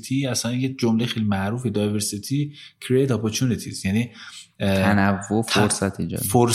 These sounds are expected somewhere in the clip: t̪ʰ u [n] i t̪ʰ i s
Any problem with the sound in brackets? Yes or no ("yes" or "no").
no